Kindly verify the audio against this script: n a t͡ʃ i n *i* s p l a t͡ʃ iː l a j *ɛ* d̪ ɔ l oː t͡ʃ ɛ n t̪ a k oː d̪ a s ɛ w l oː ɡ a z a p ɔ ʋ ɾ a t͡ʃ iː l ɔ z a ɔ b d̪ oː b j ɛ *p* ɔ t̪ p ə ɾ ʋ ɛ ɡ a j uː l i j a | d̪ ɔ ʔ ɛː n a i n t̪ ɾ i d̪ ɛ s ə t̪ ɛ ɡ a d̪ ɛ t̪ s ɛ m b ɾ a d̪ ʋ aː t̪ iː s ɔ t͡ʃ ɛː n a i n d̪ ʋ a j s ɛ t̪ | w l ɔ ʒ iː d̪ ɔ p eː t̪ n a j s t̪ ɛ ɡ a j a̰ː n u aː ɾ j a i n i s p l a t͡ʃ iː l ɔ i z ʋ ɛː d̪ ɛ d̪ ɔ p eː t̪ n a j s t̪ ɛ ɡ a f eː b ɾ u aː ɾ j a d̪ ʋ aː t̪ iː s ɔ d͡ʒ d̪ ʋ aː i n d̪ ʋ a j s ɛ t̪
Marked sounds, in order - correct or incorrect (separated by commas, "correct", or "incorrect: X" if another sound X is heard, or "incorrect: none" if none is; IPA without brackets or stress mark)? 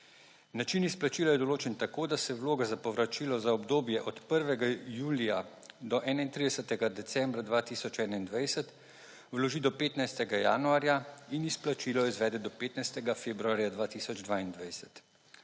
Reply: correct, correct, incorrect: ʔ